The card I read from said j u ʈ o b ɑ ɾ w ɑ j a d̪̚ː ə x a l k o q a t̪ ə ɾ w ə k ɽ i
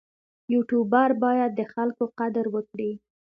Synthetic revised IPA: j u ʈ u b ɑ ɾ b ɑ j a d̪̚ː ə x a l k o q a d̪ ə ɾ w ə k ɽ i